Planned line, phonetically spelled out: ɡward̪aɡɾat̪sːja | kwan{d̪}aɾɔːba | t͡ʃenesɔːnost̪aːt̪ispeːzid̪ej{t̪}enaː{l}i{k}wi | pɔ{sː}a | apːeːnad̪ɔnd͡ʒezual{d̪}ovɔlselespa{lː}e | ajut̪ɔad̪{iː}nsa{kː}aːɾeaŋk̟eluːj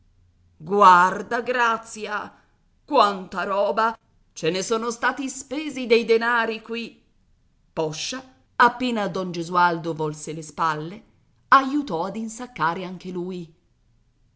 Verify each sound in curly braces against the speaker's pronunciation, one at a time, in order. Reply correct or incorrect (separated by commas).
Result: incorrect, incorrect, incorrect, correct, incorrect, correct, correct, incorrect, correct